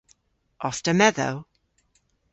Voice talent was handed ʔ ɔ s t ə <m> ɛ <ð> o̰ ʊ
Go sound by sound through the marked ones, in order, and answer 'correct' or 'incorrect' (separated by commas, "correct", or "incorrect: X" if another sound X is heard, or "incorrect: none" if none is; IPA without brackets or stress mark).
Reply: correct, correct